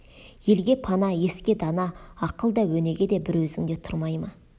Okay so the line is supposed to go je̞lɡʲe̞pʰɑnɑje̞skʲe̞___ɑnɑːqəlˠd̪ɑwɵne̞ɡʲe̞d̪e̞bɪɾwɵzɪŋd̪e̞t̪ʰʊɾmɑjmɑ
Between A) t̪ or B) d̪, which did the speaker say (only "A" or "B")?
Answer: B